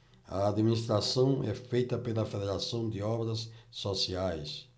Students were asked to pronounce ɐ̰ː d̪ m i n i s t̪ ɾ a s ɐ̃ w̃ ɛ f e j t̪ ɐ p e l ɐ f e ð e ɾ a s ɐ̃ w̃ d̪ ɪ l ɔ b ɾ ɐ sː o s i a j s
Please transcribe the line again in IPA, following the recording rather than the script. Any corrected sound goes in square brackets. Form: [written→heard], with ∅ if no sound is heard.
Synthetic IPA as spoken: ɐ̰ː d̪ m i n i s t̪ ɾ a s ɐ̃ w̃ ɛ f e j t̪ ɐ p e l ɐ f e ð e ɾ a s ɐ̃ w̃ d̪ ɪ [l→∅] ɔ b ɾ ɐ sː o s i a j s